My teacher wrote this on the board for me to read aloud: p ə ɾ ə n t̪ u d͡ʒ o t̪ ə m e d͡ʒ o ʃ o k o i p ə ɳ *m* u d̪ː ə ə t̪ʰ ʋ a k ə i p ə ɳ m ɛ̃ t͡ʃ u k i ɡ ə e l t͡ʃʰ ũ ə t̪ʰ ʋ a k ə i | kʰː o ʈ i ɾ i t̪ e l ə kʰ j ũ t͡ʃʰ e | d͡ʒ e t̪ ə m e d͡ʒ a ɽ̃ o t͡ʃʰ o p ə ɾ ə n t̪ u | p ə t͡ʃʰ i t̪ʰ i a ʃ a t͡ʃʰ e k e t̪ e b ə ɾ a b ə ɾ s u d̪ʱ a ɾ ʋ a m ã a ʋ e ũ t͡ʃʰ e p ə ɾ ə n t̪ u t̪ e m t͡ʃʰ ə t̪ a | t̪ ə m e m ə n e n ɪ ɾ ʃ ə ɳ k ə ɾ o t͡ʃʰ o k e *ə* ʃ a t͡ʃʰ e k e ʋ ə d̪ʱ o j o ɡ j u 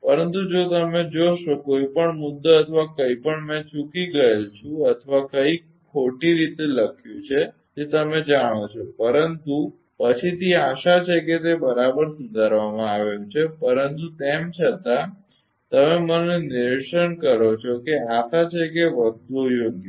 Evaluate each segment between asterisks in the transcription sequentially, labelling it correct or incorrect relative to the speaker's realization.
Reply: correct, incorrect

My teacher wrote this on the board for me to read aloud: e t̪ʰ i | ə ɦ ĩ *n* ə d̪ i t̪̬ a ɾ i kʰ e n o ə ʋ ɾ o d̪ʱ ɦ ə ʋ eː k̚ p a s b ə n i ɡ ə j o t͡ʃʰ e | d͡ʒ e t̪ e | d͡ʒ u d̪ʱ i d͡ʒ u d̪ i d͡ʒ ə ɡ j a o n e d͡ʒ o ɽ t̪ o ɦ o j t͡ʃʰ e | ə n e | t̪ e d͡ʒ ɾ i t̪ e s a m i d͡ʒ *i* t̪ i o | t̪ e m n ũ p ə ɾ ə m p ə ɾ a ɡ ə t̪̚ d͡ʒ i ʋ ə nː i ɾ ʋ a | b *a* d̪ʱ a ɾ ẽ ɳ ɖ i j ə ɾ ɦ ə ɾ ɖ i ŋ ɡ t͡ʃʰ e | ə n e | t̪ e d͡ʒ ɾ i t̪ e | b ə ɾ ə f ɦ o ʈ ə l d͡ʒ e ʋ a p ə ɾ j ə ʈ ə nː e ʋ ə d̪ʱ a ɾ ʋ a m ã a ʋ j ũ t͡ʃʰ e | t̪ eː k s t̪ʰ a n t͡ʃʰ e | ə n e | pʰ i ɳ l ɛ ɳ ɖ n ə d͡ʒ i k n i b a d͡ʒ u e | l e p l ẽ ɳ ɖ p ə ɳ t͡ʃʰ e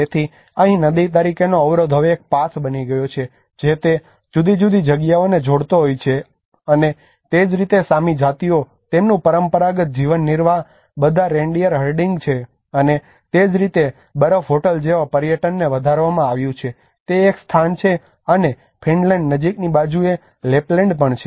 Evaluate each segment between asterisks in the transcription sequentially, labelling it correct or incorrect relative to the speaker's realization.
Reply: correct, incorrect, incorrect

